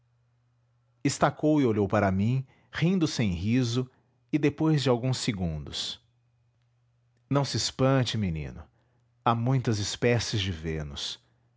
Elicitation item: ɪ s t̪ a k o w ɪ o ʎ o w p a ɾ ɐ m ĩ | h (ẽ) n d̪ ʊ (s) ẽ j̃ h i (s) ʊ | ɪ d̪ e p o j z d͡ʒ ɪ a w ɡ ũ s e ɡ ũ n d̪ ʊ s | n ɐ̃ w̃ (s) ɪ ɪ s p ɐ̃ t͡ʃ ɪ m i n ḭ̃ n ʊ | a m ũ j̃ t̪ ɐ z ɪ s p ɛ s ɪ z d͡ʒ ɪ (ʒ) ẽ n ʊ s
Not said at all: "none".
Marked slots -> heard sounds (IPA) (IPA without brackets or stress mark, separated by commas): ĩ, s, z, s, v